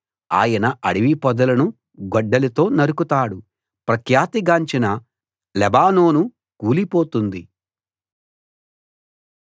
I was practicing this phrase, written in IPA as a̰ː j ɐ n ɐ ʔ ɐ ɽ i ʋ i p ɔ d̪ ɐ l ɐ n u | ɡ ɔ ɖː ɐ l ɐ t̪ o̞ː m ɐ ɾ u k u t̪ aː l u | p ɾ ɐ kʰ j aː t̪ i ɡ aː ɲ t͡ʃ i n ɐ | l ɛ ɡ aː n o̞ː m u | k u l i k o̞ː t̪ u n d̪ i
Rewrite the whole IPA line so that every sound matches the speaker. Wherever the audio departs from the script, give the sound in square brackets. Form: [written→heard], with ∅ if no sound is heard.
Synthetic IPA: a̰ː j ɐ n ɐ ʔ ɐ ɽ i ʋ i p ɔ d̪ ɐ l ɐ n u | ɡ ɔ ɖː ɐ l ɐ t̪ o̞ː [m→n] ɐ ɾ u k u t̪ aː [l→ɽ] u | p ɾ ɐ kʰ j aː t̪ i ɡ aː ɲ t͡ʃ i n ɐ | l ɛ [ɡ→b] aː n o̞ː [m→n] u | k [u→uː] l i [k→p] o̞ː t̪ u n d̪ i